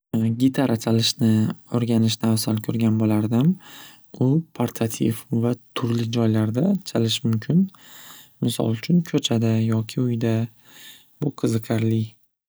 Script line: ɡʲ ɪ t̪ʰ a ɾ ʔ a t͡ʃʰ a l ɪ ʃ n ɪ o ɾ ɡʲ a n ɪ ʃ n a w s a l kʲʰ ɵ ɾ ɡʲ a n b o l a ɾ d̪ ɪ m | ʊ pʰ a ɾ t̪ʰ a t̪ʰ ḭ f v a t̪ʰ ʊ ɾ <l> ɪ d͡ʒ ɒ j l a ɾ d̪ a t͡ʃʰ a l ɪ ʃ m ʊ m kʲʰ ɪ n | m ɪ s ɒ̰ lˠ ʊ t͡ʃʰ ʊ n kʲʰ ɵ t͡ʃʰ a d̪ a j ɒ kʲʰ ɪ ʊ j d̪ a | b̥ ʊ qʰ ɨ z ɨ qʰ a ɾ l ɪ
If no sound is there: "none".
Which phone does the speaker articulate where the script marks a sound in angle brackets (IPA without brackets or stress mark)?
l